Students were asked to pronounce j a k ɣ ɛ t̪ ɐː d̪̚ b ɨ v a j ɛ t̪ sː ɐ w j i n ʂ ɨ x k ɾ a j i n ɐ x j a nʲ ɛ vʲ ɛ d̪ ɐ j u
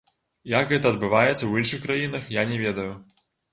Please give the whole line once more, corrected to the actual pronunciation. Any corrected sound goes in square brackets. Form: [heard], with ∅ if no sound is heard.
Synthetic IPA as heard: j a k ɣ ɛ t̪ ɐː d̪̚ b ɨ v a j ɛ t̪ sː ɐ w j i n ʂ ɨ x k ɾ a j i n ɐ x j a nʲ ɛ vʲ ɛ d̪ ɐ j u